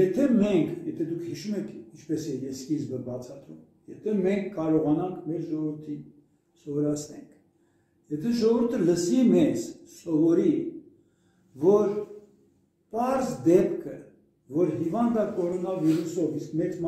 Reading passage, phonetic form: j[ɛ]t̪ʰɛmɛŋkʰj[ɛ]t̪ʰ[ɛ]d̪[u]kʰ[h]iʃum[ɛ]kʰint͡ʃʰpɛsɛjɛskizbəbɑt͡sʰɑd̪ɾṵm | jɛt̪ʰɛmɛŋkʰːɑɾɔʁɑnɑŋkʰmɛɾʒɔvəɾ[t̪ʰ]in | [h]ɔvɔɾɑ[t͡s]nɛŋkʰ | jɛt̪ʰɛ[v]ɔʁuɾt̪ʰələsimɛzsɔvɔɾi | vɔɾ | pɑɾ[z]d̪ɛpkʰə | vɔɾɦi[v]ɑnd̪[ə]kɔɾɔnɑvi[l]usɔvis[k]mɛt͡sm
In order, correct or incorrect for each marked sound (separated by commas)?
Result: correct, correct, correct, correct, correct, correct, correct, incorrect, incorrect, incorrect, correct, correct, incorrect, incorrect, correct